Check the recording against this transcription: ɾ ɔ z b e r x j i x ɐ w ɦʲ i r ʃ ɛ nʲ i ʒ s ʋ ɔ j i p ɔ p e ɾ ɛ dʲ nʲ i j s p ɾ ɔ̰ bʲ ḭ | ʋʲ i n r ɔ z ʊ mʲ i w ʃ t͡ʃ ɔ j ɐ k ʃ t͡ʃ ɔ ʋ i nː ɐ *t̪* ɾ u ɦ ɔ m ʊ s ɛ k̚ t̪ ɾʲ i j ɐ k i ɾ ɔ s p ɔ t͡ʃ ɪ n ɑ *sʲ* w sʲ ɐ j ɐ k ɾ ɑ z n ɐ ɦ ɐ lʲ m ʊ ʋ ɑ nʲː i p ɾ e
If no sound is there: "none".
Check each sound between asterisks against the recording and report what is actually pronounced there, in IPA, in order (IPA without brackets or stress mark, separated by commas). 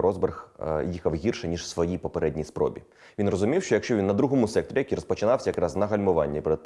d̪, none